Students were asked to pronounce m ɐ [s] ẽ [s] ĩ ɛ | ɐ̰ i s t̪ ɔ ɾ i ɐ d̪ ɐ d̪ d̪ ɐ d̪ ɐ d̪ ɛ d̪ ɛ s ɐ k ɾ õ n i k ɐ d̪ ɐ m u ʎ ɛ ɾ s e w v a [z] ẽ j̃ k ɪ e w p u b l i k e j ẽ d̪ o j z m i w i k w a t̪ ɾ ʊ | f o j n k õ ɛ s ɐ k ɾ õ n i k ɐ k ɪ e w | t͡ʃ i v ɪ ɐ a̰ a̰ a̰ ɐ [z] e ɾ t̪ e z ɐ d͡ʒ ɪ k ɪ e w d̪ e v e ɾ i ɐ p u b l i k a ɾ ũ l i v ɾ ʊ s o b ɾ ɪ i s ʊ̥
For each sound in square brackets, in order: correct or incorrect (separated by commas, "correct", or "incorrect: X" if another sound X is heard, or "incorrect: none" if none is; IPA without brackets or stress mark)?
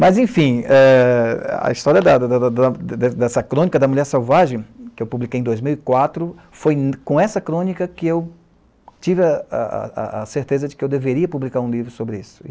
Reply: incorrect: z, incorrect: f, incorrect: ʒ, incorrect: s